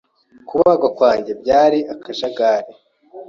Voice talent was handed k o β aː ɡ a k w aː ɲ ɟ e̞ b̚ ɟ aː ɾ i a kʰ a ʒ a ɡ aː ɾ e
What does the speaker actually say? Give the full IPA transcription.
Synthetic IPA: k u β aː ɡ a k w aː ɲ ɟ e̞ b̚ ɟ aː ɾ i a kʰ a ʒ a ɡ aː ɾ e